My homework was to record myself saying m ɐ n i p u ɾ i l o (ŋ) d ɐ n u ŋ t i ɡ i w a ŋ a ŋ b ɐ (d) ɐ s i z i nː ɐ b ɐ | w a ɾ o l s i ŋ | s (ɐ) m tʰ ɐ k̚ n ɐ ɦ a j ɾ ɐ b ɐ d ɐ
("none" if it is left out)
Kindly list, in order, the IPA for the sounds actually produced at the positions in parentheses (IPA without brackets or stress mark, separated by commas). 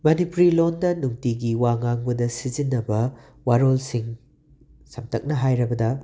n, d, ɐ